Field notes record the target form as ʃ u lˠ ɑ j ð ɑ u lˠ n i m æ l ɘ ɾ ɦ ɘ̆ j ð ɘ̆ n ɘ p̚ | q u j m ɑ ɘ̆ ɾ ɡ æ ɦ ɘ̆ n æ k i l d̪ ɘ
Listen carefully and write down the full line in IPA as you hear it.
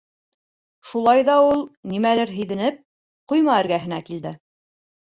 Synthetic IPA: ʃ u lˠ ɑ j ð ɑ u lˠ n i m æ l ɘ ɾ ɦ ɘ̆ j ð ɘ̆ n ɘ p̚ | q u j m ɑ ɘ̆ ɾ ɡ æ ɦ ɘ̆ n æ k i l d̪ ɘ